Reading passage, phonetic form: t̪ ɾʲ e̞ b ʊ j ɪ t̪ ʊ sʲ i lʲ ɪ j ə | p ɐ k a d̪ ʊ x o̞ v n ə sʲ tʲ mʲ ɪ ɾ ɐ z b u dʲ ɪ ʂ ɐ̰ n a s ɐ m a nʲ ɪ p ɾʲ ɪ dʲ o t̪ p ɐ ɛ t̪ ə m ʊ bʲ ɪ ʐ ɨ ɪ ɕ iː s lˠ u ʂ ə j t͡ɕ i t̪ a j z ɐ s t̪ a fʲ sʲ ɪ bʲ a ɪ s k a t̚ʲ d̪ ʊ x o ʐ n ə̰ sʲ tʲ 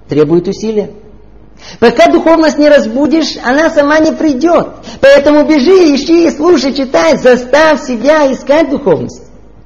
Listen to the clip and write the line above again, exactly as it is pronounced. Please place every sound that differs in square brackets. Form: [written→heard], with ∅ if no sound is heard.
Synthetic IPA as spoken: t̪ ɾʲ e̞ b ʊ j ɪ t̪ ʊ sʲ i lʲ ɪ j ə | p ɐ k a d̪ ʊ x o̞ v n ə sʲ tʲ [mʲ→nʲ] ɪ ɾ ɐ z b u dʲ ɪ ʂ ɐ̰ n a s ɐ m a nʲ ɪ p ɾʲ ɪ dʲ o t̪ p ɐ ɛ t̪ ə m ʊ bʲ ɪ ʐ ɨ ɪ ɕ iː s lˠ u ʂ ə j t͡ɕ [i→ɪ] t̪ a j z ɐ s t̪ a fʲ sʲ ɪ bʲ a ɪ s k a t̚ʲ d̪ ʊ x o [ʐ→v] n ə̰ sʲ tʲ